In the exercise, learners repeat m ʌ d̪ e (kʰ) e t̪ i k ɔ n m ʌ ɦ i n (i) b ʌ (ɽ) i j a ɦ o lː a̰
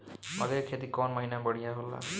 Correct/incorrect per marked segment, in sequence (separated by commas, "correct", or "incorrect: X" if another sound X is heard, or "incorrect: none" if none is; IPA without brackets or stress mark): correct, incorrect: a, correct